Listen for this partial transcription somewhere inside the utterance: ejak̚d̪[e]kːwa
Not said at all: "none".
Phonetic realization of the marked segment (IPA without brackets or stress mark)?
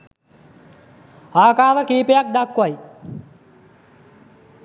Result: a